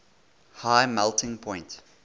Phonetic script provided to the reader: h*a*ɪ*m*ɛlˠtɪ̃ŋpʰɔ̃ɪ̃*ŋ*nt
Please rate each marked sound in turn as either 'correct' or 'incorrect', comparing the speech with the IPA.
correct, correct, incorrect

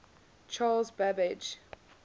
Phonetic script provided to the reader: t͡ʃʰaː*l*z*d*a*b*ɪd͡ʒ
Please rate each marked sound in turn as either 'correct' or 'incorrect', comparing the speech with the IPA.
correct, incorrect, correct

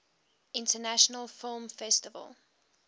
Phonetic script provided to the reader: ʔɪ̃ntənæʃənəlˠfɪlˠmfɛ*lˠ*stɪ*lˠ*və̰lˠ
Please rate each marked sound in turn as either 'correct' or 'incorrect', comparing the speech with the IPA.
incorrect, incorrect

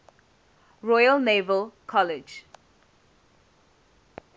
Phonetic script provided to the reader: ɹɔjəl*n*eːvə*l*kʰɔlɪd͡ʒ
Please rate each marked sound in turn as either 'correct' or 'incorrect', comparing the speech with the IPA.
correct, correct

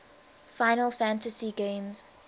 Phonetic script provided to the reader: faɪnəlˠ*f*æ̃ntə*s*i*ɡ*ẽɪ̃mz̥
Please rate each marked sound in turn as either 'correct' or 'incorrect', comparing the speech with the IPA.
correct, correct, correct

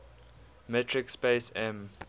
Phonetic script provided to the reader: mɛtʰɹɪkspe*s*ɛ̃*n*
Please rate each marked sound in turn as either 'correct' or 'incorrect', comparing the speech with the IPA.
correct, incorrect

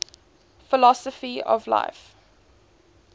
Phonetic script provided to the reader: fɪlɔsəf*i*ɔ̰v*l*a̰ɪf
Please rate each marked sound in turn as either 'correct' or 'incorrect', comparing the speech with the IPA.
correct, correct

